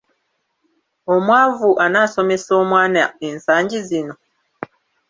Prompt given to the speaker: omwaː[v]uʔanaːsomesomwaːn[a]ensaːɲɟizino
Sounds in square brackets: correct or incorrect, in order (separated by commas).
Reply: correct, correct